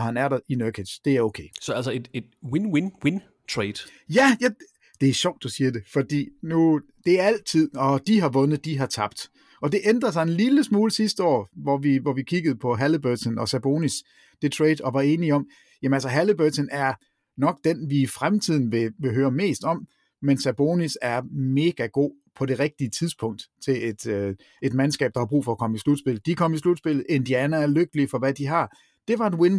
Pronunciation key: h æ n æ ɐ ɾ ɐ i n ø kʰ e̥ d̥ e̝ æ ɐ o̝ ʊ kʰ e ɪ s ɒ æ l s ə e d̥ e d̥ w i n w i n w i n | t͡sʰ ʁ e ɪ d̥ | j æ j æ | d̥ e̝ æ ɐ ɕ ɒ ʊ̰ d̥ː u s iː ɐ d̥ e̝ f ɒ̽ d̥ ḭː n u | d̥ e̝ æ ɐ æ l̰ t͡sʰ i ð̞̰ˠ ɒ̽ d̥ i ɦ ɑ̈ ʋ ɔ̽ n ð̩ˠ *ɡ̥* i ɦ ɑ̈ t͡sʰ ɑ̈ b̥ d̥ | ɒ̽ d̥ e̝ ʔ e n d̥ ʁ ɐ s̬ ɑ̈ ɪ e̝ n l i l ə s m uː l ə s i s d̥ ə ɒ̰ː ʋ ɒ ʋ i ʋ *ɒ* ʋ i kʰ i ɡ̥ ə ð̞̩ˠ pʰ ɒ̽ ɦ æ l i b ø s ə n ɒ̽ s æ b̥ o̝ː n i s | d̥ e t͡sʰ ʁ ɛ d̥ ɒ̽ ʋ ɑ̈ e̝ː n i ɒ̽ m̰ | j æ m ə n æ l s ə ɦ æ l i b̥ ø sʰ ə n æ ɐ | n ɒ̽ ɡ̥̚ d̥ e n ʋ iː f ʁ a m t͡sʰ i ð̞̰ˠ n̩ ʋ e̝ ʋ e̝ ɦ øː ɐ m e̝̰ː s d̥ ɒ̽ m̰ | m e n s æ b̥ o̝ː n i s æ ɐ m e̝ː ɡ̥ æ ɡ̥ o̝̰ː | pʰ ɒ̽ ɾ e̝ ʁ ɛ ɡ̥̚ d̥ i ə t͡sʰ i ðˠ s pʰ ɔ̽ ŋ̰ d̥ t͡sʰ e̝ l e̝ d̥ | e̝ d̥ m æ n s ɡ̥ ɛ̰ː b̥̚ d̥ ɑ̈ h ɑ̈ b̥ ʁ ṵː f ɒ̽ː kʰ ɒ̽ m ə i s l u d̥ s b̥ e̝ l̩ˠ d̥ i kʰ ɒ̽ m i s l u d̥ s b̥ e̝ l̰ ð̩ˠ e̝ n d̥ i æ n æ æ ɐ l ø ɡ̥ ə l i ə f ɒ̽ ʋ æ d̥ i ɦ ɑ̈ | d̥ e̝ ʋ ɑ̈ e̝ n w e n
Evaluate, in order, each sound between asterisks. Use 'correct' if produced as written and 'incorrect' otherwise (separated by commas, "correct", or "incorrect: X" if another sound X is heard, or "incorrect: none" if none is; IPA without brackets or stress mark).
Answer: incorrect: d̥, correct